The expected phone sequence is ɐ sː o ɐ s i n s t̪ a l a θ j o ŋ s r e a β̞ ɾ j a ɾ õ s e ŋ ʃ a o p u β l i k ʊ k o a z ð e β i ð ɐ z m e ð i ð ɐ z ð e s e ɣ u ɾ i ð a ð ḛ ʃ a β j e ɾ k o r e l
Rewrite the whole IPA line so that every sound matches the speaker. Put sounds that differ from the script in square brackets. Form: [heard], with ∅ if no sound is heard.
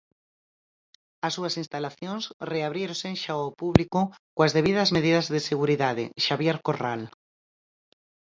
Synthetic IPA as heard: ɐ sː [u] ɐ s i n s t̪ a l a θ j o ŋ s r e a β̞ ɾ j [e] ɾ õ s e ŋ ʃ a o p u β l i k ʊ k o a z ð e β i ð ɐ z m e ð i ð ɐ z ð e s e ɣ u ɾ i ð a ð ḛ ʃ a β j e ɾ k o r [a] l